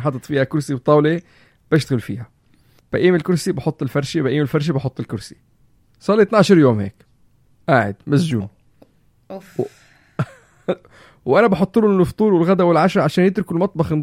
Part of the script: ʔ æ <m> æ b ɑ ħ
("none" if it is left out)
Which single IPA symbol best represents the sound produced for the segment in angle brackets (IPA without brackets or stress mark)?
n